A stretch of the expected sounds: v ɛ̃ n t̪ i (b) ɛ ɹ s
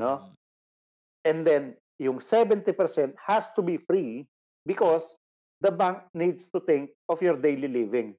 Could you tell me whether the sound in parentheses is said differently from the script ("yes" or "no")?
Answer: yes